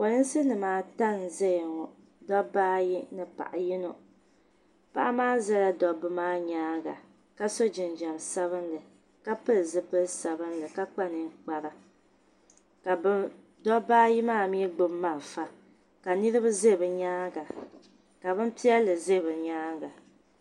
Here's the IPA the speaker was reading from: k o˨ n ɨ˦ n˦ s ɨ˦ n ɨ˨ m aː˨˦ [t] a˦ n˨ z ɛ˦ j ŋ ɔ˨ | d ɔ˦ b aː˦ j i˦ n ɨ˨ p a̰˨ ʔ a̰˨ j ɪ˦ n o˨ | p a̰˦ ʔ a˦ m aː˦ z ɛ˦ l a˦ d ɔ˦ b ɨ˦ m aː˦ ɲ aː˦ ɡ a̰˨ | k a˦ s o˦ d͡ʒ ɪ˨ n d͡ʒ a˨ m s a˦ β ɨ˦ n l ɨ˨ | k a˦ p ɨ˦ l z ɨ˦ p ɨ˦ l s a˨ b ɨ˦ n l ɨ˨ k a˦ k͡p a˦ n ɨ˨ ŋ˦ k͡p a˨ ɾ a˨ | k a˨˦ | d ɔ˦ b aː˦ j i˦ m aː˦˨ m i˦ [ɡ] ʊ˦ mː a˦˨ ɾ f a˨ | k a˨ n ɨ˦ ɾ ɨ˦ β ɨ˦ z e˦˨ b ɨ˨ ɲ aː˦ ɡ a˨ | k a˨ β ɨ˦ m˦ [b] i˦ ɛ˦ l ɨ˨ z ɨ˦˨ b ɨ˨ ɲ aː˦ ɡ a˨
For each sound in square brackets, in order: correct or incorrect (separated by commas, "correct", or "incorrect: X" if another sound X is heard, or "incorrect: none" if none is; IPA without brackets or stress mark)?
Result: correct, incorrect: ɡ͡b, incorrect: p